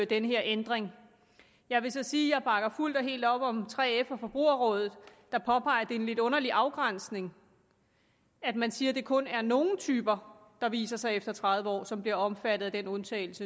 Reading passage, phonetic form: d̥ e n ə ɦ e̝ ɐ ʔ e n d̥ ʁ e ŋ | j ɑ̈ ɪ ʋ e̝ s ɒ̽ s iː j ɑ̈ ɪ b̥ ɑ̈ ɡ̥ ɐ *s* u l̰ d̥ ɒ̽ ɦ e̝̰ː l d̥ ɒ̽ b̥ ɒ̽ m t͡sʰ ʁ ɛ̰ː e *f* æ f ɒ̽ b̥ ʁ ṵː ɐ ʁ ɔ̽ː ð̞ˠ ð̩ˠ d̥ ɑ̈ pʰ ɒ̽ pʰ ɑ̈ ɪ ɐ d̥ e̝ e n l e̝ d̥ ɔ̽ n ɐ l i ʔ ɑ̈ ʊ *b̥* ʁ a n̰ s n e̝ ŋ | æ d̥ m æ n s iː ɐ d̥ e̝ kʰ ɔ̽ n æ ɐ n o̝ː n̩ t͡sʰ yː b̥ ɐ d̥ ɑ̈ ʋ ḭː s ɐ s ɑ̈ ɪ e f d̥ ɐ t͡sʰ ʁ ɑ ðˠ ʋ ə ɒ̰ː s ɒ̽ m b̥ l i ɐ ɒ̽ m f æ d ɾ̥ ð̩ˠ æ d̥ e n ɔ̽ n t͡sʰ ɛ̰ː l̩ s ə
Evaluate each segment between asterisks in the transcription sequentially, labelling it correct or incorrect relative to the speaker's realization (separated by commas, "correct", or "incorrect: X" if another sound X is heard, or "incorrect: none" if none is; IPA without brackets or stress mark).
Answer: incorrect: f, correct, incorrect: ɡ̥